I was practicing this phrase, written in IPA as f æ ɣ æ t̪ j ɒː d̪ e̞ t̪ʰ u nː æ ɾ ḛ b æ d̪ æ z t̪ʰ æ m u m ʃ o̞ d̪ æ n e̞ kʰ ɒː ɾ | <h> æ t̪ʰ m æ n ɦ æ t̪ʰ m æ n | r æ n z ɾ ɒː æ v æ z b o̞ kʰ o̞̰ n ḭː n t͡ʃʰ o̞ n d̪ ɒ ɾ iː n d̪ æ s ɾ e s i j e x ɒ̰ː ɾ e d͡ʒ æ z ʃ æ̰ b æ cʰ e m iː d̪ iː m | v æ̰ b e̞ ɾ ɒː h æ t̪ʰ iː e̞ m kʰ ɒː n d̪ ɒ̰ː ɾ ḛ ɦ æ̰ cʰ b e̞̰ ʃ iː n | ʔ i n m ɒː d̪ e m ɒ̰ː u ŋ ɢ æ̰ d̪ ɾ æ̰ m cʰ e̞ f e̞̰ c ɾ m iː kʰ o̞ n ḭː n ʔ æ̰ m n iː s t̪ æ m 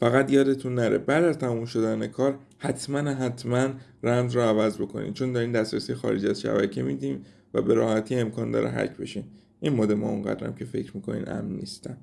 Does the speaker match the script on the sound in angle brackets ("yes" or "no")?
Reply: yes